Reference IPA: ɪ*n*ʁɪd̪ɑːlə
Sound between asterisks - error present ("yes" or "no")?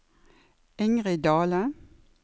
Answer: yes